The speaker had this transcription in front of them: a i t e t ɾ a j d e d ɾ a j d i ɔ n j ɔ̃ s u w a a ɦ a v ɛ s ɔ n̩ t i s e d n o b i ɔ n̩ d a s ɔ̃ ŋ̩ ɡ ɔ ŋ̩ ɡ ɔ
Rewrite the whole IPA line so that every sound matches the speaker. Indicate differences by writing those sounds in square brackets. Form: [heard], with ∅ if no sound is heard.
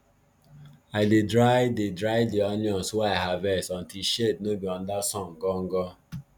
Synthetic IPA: a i [d] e [d] ɾ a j d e d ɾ a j d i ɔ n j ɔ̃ s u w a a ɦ a v ɛ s ɔ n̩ t i [ʃ] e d n o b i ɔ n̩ d a s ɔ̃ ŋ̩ ɡ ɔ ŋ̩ ɡ ɔ